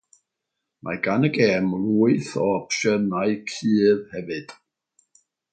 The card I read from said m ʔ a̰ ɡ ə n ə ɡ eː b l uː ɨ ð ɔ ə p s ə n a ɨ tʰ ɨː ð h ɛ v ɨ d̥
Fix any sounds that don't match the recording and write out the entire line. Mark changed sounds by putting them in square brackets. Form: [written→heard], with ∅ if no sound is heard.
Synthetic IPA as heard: m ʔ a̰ ɡ [ə→a] n ə ɡ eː [b→m] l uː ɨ [ð→θ] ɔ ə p [s→ʃ] ə n a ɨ [tʰ→kʰ] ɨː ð h ɛ v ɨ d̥